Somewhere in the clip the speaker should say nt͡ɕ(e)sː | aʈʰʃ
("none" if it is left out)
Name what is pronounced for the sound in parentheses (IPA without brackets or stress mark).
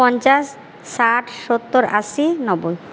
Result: a